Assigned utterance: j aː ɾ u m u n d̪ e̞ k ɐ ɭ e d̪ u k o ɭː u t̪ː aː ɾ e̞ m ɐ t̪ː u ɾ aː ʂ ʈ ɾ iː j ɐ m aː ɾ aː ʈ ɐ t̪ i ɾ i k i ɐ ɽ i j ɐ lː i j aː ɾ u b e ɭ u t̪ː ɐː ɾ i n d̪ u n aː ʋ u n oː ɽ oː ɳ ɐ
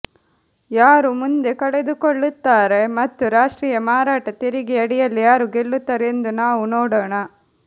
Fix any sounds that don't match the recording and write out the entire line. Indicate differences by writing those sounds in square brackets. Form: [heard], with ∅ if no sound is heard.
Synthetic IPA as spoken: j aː ɾ u m u n d̪ e̞ k ɐ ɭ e d̪ u k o ɭː u t̪ː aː ɾ e̞ m ɐ t̪ː u ɾ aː ʂ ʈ ɾ iː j ɐ m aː ɾ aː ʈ ɐ t̪ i ɾ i [ɡ] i ɐ ɽ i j ɐ lː i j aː ɾ u [ɡ] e [ɭː] u t̪ː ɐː ɾ [e] n d̪ u n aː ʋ u n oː ɽ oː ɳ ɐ